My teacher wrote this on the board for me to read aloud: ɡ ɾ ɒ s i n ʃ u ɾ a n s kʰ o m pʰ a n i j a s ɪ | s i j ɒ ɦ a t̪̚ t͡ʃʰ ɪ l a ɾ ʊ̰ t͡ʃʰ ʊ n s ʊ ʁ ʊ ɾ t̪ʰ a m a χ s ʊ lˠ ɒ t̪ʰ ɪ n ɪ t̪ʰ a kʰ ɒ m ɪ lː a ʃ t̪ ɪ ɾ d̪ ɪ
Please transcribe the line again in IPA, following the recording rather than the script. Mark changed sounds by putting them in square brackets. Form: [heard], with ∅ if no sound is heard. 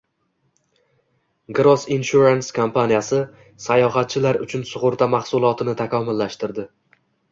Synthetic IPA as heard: ɡ ɾ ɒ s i n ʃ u ɾ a n s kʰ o m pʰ a n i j a s ɪ | s [a] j ɒ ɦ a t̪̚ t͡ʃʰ ɪ l a ɾ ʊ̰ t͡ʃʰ ʊ n s ʊ ʁ ʊ ɾ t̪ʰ a m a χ s ʊ lˠ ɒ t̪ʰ ɪ n ɪ t̪ʰ a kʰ ɒ m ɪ lː a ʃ t̪ ɪ ɾ d̪ ɪ